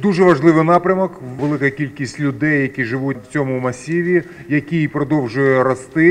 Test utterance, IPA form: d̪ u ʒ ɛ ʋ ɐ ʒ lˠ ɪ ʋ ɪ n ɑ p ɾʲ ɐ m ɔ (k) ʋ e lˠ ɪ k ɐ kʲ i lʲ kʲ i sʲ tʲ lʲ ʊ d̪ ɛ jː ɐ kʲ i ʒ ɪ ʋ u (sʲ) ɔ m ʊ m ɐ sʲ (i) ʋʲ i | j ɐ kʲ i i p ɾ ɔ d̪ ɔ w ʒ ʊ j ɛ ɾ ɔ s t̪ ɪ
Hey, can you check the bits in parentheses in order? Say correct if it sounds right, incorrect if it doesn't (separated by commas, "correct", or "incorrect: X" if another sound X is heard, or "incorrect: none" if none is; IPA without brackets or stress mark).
correct, incorrect: t͡sʲ, correct